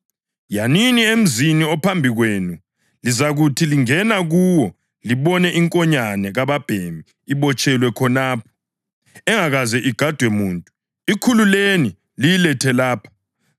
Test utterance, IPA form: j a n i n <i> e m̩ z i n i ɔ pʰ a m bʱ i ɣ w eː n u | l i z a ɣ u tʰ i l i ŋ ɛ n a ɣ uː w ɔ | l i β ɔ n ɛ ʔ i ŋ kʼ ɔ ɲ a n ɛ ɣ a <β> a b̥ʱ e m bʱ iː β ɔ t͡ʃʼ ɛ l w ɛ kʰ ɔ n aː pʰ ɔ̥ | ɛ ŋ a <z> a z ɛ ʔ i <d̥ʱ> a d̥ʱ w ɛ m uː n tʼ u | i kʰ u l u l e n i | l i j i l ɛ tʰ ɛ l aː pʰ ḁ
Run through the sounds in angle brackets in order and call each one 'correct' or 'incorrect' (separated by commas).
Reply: correct, correct, incorrect, incorrect